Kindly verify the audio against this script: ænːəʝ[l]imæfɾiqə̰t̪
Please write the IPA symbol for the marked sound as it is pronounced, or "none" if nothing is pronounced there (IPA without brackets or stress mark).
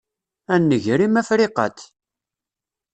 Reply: ɾ